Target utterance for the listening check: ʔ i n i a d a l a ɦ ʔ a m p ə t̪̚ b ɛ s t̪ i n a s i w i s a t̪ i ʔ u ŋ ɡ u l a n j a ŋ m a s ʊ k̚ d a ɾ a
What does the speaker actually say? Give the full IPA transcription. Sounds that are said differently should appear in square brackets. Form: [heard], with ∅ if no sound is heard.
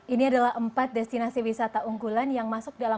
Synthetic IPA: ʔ i n i a d a l a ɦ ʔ [ə] m p [a] t̪̚ [d] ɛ s t̪ i n a s i w i s a t̪ [a] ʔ u ŋ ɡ u l a n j a ŋ m a s ʊ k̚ d a [l] a